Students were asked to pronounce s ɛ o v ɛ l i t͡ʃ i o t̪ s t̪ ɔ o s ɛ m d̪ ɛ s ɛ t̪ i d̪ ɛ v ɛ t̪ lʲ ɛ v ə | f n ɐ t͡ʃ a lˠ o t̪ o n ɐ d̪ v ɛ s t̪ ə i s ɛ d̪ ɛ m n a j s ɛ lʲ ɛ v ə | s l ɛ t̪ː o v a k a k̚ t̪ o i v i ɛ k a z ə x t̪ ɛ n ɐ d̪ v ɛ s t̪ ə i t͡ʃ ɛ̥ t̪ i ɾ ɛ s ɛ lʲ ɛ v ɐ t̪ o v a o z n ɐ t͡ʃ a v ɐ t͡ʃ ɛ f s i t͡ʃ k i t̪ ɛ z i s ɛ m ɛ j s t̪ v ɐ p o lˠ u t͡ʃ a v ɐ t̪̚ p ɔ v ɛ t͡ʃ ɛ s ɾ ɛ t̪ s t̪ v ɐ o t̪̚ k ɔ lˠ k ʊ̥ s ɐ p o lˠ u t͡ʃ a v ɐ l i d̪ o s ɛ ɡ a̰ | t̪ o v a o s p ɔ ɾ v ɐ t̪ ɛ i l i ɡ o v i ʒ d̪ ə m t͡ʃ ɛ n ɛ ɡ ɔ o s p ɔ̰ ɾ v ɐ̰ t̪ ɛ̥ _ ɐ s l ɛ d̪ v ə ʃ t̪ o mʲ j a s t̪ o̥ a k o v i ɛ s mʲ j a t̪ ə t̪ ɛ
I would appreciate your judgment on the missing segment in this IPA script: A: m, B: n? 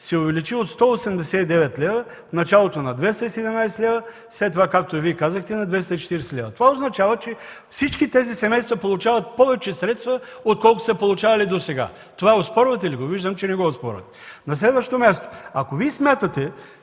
B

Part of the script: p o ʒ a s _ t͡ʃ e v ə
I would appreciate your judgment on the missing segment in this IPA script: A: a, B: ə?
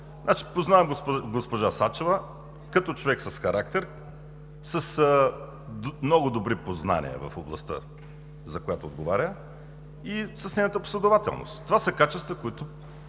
A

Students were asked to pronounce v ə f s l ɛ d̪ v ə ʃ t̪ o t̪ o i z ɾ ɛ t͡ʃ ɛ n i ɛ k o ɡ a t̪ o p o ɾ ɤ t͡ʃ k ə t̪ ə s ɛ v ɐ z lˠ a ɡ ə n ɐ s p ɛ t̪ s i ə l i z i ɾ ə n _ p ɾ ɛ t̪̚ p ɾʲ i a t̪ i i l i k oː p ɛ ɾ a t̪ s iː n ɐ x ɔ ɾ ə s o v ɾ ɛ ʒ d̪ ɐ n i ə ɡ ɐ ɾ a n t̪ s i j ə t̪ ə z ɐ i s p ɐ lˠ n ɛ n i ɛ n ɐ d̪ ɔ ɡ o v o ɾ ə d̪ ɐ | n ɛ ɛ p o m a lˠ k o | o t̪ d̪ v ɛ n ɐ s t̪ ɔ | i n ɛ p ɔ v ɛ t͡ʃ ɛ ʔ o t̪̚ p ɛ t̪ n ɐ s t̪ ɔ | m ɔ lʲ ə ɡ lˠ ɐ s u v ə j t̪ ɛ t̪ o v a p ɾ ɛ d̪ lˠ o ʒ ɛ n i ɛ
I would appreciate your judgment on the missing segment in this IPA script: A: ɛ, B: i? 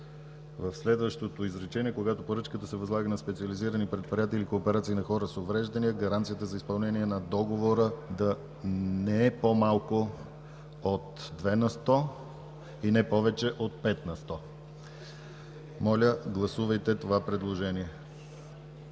B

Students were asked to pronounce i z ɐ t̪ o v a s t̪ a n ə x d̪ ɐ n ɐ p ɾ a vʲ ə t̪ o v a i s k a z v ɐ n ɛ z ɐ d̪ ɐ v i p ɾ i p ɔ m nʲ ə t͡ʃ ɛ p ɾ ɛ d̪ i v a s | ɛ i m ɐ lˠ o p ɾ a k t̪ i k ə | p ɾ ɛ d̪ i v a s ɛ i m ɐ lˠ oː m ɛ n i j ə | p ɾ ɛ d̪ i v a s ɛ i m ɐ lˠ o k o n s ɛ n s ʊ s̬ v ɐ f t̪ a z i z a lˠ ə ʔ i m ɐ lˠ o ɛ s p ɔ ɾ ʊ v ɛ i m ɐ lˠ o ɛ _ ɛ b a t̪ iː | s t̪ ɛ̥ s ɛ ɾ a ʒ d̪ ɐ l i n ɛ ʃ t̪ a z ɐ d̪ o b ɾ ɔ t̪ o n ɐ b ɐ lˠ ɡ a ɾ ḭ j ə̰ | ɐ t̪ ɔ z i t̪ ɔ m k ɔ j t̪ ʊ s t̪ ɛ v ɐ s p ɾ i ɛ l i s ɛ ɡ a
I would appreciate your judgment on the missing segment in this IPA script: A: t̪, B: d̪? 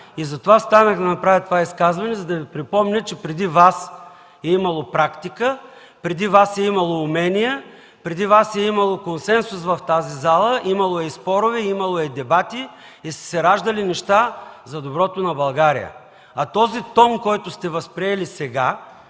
B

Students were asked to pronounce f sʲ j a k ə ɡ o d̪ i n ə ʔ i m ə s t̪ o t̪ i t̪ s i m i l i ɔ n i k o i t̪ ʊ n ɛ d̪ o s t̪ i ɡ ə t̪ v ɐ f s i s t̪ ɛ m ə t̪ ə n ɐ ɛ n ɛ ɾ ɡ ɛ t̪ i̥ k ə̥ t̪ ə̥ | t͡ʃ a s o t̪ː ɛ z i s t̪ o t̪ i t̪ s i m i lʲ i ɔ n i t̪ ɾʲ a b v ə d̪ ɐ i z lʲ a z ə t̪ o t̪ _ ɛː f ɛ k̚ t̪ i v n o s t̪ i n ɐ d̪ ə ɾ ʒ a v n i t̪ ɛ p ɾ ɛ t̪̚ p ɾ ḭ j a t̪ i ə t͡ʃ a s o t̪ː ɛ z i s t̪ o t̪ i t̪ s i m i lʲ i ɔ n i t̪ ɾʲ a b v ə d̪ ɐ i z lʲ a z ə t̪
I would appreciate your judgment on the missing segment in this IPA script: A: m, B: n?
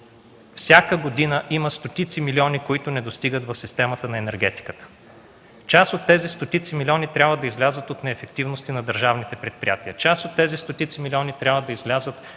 B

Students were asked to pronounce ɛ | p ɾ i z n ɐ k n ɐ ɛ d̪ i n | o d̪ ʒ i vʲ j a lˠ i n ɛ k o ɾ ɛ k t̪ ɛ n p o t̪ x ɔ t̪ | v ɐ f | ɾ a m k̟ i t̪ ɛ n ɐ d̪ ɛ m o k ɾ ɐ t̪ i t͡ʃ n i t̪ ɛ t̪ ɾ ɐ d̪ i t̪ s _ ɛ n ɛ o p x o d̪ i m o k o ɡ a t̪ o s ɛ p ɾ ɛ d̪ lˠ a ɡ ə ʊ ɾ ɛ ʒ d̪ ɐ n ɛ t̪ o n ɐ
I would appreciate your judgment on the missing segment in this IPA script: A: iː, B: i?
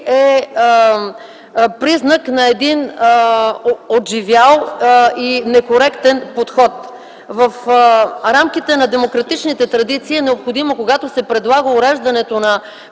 A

